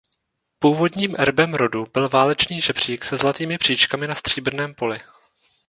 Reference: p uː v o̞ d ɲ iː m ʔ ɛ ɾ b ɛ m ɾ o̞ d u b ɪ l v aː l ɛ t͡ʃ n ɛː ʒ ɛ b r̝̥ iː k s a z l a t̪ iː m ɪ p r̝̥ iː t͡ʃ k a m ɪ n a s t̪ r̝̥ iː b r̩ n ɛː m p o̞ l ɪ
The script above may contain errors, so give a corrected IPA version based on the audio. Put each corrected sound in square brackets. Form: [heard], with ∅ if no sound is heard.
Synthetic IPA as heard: p uː v o̞ d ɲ iː m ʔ ɛ ɾ b ɛ m ɾ o̞ d u b ɪ l v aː l ɛ t͡ʃ n [iː] ʒ ɛ b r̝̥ iː k s [ɛ] z l a t̪ iː m ɪ p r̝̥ iː t͡ʃ k a m ɪ n a s t̪ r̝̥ iː b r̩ n ɛː m p o̞ l ɪ